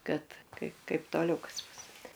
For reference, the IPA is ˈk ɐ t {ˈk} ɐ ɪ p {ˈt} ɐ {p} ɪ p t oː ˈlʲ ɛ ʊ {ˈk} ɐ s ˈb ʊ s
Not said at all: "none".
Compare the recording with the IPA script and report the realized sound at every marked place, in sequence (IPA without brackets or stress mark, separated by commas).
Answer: k, k, none, k